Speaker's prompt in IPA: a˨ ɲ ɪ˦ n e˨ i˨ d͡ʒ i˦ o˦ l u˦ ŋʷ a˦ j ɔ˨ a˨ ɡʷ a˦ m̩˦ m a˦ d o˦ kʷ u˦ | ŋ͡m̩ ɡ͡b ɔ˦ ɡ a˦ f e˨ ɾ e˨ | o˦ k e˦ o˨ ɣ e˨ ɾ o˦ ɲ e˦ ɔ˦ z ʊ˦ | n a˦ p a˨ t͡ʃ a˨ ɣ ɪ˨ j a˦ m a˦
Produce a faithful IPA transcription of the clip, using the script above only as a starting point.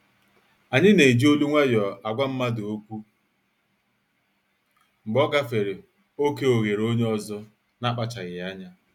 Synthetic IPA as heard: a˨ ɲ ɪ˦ n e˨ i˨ d͡ʒ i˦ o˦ l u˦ ŋʷ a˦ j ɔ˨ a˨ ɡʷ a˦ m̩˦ m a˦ d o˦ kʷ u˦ | ŋ͡m̩ ɡ͡b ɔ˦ ɡ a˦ f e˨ ɾ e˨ | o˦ k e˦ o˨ ɣ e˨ ɾ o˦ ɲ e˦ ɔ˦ z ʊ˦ | n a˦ k͡p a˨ t͡ʃ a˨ ɣ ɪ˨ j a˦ ɲ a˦